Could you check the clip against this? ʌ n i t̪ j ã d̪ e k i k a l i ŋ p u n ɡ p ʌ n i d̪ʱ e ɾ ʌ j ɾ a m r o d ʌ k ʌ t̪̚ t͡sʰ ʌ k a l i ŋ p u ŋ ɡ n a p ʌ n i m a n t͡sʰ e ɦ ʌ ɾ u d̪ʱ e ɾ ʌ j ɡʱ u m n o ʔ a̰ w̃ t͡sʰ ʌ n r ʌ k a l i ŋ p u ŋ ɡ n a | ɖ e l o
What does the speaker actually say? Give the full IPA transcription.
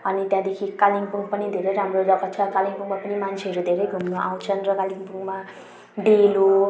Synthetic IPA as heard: ʌ n i t̪ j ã d̪ e kʰ i k a l i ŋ p u ŋ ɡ p ʌ n i d̪ʱ e ɾ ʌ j ɾ a m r o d ʌ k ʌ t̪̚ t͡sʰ ʌ k a l i ŋ p u ŋ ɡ m a p ʌ n i m a n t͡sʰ e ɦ ʌ ɾ u d̪ʱ e ɾ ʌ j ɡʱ u m n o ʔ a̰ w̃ t͡sʰ ʌ n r ʌ k a l i ŋ p u ŋ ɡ m a | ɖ e l o